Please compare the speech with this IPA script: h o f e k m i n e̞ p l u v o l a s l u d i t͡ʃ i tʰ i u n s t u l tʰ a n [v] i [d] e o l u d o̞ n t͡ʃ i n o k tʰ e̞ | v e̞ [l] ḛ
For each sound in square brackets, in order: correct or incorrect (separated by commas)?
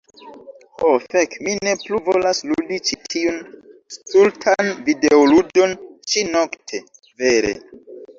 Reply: correct, correct, incorrect